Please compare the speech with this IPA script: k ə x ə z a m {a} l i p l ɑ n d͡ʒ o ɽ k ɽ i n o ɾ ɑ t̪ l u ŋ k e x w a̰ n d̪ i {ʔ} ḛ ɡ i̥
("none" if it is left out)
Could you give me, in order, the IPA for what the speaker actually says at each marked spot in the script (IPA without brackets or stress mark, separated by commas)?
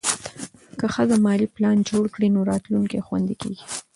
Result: ɑ, k